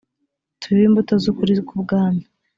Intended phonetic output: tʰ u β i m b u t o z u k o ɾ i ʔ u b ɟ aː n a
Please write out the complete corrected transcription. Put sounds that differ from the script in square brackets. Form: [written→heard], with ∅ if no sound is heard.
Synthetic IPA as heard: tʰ u β i m b u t o z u k [o→u] ɾ i [ʔ→k] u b [ɟ→ɡ] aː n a